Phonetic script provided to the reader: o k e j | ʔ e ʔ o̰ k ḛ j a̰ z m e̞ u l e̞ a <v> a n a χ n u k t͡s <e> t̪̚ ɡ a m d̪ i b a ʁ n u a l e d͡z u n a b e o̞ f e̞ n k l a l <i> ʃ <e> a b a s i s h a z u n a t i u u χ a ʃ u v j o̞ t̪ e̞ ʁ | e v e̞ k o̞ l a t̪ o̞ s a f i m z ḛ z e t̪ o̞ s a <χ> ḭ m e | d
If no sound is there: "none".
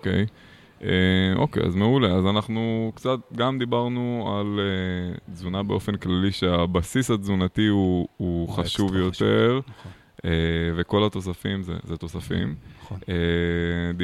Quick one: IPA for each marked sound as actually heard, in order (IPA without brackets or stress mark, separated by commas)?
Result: z, a, i, e, f